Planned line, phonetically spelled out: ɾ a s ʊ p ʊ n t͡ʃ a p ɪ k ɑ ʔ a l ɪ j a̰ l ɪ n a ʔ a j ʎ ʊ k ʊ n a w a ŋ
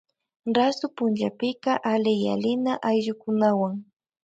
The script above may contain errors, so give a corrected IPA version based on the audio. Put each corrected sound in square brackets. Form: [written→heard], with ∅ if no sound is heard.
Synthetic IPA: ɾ a s ʊ p ʊ n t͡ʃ a p ɪ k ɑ ʔ a l ɪ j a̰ l ɪ n a ʔ a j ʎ ʊ k ʊ n a w a ŋ